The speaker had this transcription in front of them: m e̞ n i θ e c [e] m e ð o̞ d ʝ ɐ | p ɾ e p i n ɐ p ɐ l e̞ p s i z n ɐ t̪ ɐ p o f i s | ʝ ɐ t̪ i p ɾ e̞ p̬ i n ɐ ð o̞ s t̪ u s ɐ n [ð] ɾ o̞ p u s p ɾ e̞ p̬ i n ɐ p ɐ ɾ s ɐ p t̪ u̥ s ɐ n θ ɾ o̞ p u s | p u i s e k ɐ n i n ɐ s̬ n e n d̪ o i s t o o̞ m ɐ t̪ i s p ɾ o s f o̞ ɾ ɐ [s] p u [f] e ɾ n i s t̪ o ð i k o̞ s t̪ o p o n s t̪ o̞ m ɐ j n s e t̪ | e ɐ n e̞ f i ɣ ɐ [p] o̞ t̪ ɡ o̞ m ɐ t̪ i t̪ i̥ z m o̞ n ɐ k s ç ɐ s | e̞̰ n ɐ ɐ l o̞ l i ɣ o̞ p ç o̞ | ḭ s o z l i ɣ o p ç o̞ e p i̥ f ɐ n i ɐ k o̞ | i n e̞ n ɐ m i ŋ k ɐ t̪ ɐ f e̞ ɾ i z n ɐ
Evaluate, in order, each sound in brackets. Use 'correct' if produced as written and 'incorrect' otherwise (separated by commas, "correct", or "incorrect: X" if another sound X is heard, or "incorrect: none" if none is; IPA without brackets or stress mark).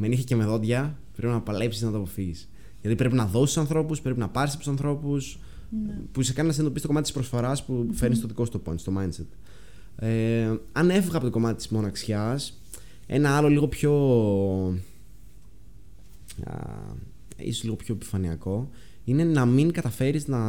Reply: correct, incorrect: θ, correct, correct, correct